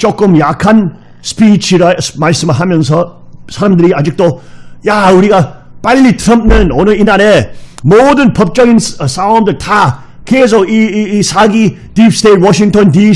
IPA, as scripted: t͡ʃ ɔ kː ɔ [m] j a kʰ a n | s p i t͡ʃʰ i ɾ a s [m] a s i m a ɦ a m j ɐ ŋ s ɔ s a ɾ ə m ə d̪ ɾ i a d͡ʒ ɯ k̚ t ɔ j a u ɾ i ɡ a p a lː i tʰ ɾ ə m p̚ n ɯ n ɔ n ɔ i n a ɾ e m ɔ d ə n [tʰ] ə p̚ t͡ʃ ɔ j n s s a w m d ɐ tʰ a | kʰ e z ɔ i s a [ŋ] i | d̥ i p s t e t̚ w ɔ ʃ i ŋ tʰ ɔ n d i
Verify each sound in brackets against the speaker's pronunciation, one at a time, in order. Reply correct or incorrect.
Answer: correct, correct, incorrect: pʰ, incorrect: ɡ

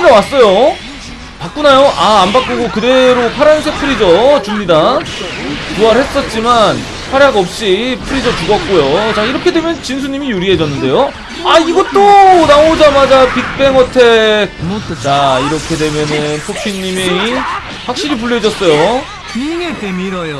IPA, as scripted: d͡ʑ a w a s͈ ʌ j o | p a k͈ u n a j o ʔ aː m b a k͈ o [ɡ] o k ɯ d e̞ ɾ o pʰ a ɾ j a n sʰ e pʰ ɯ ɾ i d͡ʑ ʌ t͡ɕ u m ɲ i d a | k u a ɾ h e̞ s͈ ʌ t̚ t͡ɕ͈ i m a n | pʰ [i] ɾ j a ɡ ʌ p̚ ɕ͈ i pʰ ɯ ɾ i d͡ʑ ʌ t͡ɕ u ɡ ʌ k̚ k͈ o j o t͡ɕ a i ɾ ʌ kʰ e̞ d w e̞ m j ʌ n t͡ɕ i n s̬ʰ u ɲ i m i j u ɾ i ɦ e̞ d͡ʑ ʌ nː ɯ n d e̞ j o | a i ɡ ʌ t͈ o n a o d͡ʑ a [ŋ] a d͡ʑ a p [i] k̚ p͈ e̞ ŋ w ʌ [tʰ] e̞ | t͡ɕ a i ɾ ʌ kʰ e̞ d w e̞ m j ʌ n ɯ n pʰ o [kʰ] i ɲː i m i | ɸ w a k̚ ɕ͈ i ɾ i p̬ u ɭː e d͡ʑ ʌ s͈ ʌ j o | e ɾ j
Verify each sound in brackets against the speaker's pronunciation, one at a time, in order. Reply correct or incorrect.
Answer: correct, incorrect: a, incorrect: m, correct, correct, incorrect: pʰ

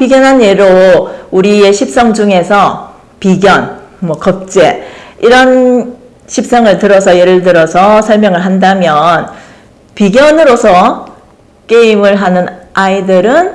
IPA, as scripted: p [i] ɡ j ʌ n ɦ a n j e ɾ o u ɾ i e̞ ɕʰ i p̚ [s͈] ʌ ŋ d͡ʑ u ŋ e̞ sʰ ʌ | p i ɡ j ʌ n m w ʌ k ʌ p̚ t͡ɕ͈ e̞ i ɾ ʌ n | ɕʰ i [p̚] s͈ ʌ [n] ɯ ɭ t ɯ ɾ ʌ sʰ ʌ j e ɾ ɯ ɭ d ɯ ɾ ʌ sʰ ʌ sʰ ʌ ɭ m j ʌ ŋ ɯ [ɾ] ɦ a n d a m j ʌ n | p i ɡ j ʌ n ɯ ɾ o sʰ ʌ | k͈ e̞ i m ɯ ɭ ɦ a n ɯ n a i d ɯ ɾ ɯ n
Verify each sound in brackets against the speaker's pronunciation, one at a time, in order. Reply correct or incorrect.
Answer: correct, correct, correct, incorrect: ŋ, incorrect: ɭ

